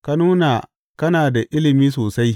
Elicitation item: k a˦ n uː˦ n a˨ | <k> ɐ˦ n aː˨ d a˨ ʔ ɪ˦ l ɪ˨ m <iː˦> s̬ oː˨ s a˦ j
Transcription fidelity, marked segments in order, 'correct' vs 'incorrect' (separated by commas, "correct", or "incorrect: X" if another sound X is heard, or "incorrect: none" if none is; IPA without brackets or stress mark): correct, correct